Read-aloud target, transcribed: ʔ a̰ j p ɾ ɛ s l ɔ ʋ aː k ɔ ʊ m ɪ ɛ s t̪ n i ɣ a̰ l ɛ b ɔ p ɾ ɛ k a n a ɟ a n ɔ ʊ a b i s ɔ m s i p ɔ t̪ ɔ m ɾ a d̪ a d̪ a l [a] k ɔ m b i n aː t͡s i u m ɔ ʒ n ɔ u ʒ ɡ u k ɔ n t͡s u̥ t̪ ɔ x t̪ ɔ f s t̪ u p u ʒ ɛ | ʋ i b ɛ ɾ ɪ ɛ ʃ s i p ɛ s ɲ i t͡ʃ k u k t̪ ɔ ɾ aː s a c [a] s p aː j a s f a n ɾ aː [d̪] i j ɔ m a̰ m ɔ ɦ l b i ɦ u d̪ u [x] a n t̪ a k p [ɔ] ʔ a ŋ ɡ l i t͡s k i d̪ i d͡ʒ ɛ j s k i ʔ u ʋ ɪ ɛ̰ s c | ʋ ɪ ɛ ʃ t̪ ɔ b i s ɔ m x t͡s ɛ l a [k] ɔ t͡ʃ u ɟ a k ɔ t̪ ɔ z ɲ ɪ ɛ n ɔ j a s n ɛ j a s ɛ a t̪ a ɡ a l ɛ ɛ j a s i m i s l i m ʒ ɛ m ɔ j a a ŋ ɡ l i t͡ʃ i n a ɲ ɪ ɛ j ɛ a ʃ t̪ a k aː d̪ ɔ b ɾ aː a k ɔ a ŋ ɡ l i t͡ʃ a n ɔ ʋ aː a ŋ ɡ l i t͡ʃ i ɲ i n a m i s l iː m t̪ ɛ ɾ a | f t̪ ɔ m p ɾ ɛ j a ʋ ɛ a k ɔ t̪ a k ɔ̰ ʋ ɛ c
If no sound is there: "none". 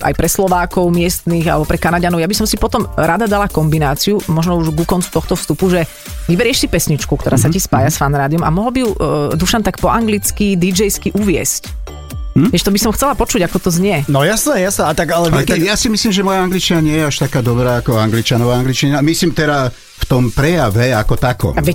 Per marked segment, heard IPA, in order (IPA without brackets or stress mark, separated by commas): a, i, d̪, ʃ, ɔ, p